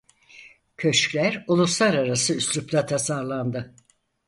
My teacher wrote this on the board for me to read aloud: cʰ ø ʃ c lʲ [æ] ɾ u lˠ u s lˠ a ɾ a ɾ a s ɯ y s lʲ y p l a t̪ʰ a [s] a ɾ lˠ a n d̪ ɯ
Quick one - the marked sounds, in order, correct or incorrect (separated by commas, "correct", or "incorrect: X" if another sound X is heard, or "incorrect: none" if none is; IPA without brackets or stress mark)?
correct, correct